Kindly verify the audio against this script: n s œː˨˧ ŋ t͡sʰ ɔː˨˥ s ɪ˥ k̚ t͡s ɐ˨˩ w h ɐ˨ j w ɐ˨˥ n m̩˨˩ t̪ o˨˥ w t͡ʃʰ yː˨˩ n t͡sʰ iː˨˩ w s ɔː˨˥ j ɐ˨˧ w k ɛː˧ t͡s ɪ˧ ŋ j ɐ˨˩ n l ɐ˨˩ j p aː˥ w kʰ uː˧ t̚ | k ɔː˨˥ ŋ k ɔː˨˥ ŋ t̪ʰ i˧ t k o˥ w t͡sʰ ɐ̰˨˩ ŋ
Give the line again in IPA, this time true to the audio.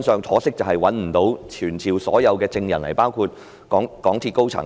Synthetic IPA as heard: n s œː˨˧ ŋ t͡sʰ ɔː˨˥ s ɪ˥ k̚ t͡s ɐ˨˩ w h ɐ˨ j w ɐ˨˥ n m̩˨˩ t̪ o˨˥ w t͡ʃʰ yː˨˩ n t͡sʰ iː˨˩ w s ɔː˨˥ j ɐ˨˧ w k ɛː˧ t͡s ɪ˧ ŋ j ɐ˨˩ n l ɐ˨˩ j p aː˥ w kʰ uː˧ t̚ | k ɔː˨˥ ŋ k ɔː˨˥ ŋ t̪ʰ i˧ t k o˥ w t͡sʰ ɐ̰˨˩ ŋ